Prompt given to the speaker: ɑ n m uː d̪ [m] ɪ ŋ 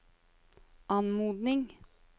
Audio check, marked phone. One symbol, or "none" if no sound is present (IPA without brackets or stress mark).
n